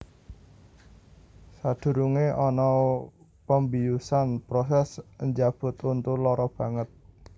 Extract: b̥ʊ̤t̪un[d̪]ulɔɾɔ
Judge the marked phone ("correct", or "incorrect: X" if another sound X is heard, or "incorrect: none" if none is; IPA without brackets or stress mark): incorrect: t̪